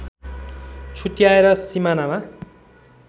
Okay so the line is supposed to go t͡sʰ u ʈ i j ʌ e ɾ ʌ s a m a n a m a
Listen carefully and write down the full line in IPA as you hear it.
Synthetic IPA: t͡sʰ u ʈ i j a e ɾ ʌ s i m a n a m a